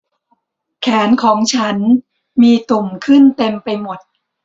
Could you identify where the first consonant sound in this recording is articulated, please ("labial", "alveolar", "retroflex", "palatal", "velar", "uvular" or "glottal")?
velar